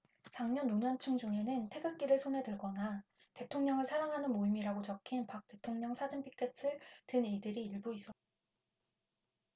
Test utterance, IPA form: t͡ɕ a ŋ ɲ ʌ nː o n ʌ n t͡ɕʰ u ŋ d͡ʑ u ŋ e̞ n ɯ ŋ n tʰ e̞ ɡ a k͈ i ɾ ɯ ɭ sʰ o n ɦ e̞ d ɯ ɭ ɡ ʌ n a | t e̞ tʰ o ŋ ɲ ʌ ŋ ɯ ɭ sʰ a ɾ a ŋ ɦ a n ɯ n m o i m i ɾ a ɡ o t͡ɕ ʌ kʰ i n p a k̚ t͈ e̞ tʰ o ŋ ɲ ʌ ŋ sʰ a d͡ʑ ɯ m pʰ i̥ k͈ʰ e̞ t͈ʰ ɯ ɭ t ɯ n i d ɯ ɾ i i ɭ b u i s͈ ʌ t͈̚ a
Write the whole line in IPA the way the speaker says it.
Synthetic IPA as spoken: t͡ɕ a ŋ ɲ ʌ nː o ɲ ʌ n t͡ɕʰ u ŋ d͡ʑ u ŋ e̞ n ɯ n tʰ e̞ ɡ a k͈ i ɾ ɯ ɭ sʰ o n ɦ e̞ d ɯ ɭ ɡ ʌ n a | t e̞ tʰ o ŋ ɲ ʌ ŋ ɯ ɭ sʰ a ɾ a ŋ ɦ a n ɯ n m o i m i ɾ a ɡ o t͡ɕ ʌ kʰ i n p a k̚ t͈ e̞ tʰ o ŋ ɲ ʌ ŋ sʰ a d͡ʑ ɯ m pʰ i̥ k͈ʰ e̞ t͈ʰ ɯ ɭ t ɯ n i d ɯ ɾ i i ɭ b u i s͈ ʌ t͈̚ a